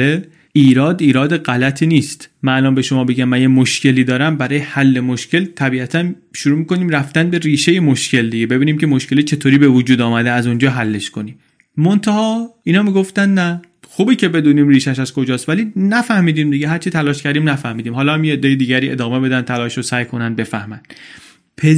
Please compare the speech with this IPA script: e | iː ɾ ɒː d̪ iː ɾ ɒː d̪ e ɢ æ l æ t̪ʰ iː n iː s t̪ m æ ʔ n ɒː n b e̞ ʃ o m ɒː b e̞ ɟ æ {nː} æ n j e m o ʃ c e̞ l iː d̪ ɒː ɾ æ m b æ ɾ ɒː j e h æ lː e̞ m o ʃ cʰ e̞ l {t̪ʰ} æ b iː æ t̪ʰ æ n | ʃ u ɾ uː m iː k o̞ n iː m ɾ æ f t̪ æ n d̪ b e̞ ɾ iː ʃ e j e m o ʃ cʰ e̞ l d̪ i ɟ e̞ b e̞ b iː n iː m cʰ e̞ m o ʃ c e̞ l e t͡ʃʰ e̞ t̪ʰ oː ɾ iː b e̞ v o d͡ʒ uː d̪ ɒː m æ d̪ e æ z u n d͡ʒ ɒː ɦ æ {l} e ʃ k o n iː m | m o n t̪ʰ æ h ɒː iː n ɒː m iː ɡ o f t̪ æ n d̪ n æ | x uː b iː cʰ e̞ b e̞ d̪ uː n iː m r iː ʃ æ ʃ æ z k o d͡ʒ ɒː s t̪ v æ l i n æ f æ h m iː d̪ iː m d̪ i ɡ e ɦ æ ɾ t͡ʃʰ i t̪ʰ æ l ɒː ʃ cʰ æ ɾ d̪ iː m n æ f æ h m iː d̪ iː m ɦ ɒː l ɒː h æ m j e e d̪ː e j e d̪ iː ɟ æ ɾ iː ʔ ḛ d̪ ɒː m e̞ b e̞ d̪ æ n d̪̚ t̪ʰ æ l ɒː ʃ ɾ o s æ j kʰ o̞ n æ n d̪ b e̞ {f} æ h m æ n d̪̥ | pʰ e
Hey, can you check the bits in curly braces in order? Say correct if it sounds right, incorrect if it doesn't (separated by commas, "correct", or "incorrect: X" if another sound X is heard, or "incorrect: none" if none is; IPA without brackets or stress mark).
incorrect: mː, correct, incorrect: lː, correct